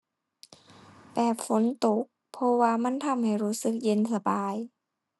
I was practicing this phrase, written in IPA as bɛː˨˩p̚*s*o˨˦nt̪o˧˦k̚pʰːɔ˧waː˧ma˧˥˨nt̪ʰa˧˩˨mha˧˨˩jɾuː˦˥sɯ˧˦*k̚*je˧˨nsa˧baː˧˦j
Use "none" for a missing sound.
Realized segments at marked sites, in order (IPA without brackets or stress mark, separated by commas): f, k̚